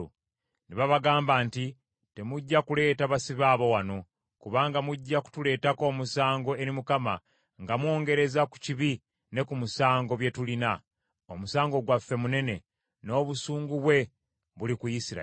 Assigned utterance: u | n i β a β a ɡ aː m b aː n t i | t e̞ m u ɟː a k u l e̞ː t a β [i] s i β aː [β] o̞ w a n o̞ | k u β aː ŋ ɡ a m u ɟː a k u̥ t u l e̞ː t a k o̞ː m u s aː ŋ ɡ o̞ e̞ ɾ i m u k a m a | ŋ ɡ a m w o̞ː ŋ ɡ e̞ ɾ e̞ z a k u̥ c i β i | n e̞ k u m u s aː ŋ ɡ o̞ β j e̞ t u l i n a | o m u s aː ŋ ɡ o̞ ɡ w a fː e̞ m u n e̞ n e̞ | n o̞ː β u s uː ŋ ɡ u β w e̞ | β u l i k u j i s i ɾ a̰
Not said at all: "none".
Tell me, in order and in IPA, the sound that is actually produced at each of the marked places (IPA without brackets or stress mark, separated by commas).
a, β